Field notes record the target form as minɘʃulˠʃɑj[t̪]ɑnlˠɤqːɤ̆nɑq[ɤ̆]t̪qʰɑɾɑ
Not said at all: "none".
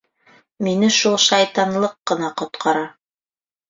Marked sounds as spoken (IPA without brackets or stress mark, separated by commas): t̪, ŏ